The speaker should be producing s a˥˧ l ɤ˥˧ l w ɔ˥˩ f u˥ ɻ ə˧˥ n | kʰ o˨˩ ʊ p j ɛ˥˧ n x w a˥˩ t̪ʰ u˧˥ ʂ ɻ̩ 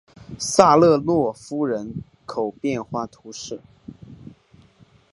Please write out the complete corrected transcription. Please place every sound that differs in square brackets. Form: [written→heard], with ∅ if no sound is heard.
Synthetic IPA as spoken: s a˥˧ l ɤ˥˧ l w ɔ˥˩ f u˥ ɻ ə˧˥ n | kʰ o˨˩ ʊ p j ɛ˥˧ n x w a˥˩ t̪ʰ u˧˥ ʂ ɻ̩